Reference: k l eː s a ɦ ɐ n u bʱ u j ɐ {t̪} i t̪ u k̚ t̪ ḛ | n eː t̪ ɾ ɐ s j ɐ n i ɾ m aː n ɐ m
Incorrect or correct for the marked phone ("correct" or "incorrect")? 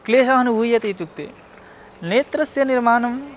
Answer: correct